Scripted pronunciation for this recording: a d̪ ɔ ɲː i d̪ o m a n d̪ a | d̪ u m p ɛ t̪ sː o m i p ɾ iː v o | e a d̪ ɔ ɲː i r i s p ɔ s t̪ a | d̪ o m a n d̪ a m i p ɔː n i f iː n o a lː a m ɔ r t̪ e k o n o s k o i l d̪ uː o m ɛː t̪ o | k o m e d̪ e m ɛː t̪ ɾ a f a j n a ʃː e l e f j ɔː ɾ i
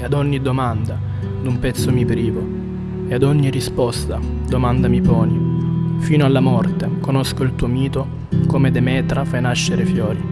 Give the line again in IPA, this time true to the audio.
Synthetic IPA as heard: a d̪ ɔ ɲː i d̪ o m a n d̪ a | d̪ u m p ɛ t̪ sː o m i p ɾ iː v o | e a d̪ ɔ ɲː i r i s p ɔ s t̪ a | d̪ o m a n d̪ a m i p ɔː n i f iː n o a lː a m ɔ r t̪ e k o n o s k o i l t̪ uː o m iː t̪ o | k o m e d̪ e m ɛː t̪ ɾ a f a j n a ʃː e ɾ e f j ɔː ɾ i